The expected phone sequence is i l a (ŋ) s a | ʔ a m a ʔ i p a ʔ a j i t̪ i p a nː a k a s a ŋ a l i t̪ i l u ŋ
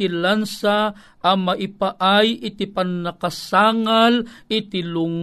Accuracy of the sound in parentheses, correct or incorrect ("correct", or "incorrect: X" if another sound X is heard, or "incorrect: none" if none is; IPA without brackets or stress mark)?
incorrect: n